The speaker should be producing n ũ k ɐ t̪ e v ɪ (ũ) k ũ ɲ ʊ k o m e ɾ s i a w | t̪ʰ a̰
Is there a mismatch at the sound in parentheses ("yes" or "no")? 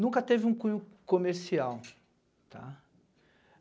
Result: no